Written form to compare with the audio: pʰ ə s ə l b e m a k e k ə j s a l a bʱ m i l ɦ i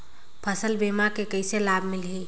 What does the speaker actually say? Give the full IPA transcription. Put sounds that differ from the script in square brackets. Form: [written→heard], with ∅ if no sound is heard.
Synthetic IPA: pʰ ə s ə l b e m a k e k ə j s [a→e] l a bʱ m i l ɦ i